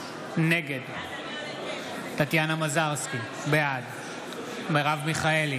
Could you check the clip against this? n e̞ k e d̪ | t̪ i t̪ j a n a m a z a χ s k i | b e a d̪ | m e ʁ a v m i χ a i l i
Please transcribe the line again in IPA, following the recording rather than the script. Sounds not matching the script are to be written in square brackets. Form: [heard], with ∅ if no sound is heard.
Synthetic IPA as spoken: n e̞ [ɡ] e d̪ | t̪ [a] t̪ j a n a m a z a [ʁ] s k i | b e a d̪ | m e ʁ a v m i χ a [e] l i